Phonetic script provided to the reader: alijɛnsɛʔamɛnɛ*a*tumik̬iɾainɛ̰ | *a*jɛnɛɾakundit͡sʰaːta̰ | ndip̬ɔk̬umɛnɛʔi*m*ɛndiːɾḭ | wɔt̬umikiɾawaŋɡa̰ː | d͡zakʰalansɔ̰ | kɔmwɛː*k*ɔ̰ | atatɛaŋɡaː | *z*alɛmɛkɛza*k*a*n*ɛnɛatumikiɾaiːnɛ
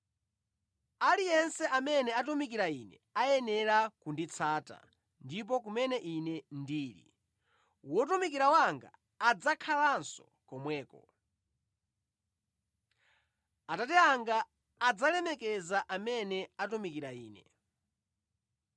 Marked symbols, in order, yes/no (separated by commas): yes, yes, no, yes, no, no, no